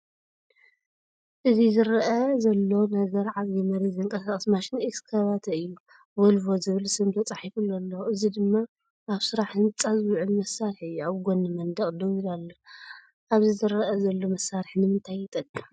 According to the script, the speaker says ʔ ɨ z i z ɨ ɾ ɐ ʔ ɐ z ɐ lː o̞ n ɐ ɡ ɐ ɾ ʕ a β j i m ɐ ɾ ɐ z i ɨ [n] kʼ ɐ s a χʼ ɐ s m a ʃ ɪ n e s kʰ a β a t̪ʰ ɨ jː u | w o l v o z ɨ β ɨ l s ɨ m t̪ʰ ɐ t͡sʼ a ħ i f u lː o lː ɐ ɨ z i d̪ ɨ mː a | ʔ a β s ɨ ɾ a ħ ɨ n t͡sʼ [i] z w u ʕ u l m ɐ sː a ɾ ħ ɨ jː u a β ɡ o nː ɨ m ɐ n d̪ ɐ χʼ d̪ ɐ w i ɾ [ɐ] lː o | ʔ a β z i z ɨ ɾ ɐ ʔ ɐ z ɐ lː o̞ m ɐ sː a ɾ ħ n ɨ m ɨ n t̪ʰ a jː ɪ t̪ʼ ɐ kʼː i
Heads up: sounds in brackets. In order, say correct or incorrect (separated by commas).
incorrect, incorrect, incorrect